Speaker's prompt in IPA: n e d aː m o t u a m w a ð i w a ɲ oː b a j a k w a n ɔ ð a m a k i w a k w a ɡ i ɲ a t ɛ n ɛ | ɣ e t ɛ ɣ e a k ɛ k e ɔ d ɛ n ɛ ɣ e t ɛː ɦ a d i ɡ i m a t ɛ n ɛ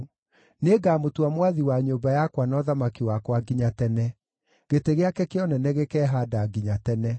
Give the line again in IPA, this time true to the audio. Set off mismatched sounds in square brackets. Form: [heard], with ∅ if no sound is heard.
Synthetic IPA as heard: n e [ɡ] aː m o t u a m w a ð i w a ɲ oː b a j a k w a n ɔ ð a m a k i w a k w a ɡ i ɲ a t ɛ n ɛ | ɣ e t [e] ɣ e a k ɛ k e ɔ [n] ɛ n ɛ ɣ e [k] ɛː ɦ a d [a] ɡ i [ɲ] a t ɛ n ɛ